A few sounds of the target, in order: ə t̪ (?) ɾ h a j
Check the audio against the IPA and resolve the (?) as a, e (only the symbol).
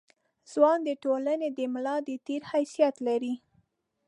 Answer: e